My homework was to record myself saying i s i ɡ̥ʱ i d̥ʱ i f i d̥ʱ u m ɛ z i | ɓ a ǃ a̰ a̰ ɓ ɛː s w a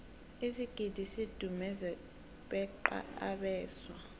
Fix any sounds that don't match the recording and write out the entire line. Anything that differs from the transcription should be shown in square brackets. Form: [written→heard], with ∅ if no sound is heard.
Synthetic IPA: i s i ɡ̥ʱ i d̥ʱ i [f→s] i d̥ʱ u m ɛ z [i→ɛ] | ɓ [a→ɛ] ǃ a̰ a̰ ɓ ɛː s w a